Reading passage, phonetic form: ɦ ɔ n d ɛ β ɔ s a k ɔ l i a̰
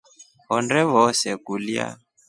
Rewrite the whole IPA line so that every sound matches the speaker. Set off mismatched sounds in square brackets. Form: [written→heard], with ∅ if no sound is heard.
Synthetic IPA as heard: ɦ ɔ n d ɛ β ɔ s [a→ɛ] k [ɔ→u] l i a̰